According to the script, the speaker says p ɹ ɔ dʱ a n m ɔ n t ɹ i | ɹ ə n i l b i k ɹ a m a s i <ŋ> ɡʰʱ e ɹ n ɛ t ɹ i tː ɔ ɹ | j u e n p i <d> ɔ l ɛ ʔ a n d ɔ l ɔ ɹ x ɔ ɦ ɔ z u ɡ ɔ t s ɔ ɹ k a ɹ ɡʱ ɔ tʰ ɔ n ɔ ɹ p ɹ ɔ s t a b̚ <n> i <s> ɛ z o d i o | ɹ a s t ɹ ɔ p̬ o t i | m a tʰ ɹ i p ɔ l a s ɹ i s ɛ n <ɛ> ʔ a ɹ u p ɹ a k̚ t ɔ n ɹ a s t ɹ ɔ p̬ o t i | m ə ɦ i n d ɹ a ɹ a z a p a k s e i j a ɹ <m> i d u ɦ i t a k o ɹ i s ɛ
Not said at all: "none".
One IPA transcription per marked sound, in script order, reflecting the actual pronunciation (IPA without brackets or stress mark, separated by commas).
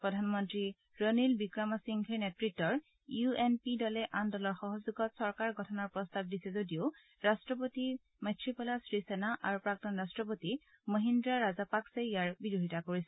ŋ, d, d, s, a, b